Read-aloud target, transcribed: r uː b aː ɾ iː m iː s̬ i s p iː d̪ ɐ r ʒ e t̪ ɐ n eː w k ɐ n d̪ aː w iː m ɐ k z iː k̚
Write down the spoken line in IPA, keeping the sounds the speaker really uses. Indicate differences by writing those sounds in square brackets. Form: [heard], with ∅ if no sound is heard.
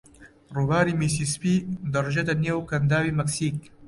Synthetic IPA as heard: r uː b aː ɾ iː m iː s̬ i s p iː d̪ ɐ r ʒ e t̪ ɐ n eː w k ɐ n d̪ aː w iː m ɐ k [s] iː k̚